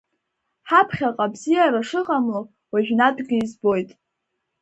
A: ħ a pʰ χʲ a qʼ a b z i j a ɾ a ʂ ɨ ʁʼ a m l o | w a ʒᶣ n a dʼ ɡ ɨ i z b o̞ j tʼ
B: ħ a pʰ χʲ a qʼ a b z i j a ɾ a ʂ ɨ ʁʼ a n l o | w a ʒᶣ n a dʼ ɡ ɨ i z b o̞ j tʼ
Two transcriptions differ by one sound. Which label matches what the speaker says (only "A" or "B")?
A